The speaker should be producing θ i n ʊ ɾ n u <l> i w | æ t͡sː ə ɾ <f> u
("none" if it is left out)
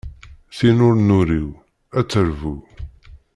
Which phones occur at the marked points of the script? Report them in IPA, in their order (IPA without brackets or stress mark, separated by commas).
ɾ, v